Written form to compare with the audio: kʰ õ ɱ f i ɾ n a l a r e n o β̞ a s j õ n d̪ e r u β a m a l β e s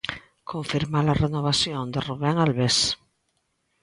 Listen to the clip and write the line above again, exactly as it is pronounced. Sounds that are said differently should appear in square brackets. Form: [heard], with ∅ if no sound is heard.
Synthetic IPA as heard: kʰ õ ɱ f i ɾ [m] a l a r e n o β̞ a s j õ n d̪ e r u β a [ŋ] a l β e s